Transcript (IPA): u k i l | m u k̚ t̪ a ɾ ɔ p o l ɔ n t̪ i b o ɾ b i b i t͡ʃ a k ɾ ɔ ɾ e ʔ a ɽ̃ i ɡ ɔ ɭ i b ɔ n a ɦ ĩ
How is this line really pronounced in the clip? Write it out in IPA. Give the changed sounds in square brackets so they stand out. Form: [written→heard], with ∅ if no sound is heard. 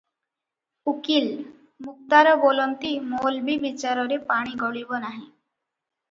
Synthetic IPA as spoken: u k i l | m u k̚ t̪ a ɾ ɔ [p→b] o l ɔ n t̪ i [b→m] o [ɾ→l] b i b i t͡ʃ a [k→∅] ɾ ɔ ɾ e [ʔ→p] a ɽ̃ i ɡ ɔ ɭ i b ɔ n a ɦ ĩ